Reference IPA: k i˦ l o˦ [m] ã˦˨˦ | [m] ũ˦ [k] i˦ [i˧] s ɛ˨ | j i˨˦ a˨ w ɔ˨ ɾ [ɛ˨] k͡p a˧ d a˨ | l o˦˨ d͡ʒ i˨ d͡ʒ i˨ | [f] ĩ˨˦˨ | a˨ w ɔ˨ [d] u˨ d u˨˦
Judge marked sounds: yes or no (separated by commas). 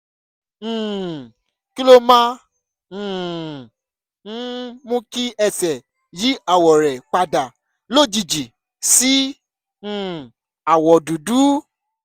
yes, yes, yes, no, yes, no, yes